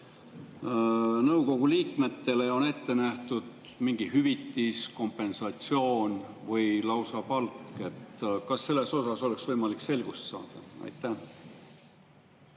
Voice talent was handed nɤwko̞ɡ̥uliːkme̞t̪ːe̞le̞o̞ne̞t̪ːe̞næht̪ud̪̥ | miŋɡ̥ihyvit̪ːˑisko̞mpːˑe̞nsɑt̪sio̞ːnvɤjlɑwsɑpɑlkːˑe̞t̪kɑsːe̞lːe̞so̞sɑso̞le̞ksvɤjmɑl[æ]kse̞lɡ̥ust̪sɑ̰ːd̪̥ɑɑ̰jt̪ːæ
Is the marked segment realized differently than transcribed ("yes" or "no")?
yes